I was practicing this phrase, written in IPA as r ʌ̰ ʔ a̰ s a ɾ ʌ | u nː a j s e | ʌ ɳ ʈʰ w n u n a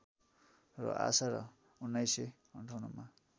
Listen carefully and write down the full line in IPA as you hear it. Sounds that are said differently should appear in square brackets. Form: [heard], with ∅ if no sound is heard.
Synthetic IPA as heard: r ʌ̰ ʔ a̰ s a ɾ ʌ | u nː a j s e | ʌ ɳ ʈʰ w n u [m] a

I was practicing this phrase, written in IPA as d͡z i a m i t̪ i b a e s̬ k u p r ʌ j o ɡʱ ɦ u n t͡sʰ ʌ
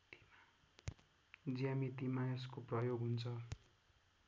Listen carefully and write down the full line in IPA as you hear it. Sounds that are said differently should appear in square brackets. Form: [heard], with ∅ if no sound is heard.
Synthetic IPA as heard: d͡z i a m i t̪ i [m] a e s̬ k [o] p r ʌ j o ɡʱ ɦ u n t͡sʰ ʌ

